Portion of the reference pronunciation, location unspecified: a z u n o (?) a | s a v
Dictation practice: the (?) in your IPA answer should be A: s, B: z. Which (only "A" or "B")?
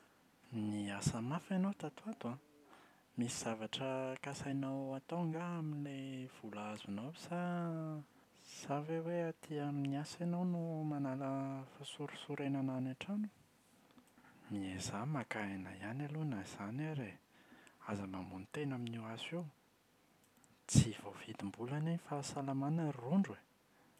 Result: A